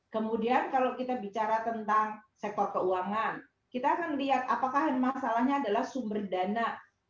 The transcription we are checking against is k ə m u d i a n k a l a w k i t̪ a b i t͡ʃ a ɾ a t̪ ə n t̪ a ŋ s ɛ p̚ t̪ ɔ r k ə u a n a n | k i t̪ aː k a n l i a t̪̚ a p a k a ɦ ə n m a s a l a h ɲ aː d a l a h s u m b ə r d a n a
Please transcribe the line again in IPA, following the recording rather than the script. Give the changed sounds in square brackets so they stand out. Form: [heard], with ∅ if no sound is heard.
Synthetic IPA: k ə m u d i a n k a l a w k i t̪ a b i t͡ʃ a ɾ a t̪ ə n t̪ a ŋ s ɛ [k̚] t̪ ɔ r k ə u a [ŋ] a n | k i t̪ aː k a n l i a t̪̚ a p a k a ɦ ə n m a s a l a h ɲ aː d a l a h s u m b ə r d a n a

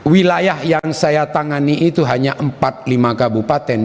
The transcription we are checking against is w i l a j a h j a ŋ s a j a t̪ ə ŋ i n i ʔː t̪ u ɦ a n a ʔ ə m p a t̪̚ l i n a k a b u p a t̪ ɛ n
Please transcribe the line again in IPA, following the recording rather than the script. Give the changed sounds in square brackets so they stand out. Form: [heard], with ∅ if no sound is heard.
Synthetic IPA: w i l a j a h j a ŋ s a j a t̪ [a] ŋ [a] n i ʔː t̪ u ɦ a [ɲ] a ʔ ə m p a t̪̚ l i [m] a k a b u p a t̪ ɛ n

